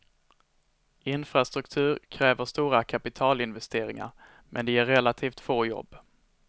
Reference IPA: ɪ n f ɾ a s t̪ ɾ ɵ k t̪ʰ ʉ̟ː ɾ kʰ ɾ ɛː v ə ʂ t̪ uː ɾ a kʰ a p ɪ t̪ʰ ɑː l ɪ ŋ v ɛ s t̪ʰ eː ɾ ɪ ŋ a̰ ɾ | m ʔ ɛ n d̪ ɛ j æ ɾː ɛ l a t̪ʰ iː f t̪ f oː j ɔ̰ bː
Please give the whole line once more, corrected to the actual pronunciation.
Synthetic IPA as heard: ɪ n f ɾ a s t̪ ɾ ɵ k t̪ʰ ʉ̟ː ɾ kʰ ɾ ɛː v ə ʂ t̪ uː ɾ a kʰ a p ɪ t̪ʰ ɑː l ɪ n v ɛ s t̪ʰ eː ɾ ɪ ŋ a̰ ɾ | m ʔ ɛ n d̪ ɛ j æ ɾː ɛ l a t̪ʰ iː f t̪ f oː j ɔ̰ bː